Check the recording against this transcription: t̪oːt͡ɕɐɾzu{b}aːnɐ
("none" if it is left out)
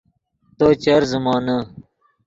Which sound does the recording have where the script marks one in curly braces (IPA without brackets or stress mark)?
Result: m